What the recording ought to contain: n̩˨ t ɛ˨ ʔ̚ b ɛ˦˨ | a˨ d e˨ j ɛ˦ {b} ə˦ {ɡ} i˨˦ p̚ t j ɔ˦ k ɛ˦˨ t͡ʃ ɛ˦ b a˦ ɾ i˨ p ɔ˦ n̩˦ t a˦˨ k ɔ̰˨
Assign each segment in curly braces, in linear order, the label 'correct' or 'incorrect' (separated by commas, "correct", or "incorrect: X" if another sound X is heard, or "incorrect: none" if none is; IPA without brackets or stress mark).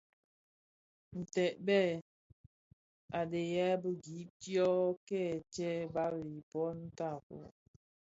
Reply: correct, correct